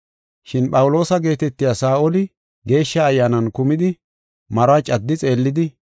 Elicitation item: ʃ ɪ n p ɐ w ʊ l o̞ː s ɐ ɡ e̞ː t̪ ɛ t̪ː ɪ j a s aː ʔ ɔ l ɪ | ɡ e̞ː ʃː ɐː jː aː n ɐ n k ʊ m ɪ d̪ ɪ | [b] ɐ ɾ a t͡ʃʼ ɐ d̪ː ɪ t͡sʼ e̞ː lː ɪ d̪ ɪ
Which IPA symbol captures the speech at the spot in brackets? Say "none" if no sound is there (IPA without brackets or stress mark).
m